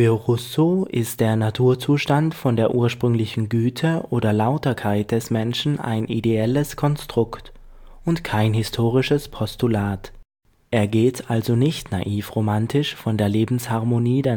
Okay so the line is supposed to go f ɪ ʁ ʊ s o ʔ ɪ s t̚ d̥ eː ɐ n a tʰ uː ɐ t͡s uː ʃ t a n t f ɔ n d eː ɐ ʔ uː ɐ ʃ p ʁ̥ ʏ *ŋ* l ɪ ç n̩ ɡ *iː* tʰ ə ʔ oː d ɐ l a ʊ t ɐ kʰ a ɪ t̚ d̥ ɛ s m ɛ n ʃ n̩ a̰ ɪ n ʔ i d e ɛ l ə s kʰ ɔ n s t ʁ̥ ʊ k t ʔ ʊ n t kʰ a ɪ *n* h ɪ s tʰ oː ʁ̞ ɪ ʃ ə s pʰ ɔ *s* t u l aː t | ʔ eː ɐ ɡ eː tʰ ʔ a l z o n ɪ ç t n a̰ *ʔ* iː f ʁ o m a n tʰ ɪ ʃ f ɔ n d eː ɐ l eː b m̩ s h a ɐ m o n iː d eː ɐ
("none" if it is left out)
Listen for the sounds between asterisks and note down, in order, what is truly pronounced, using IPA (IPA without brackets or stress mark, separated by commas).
ŋ, yː, n, s, ʔ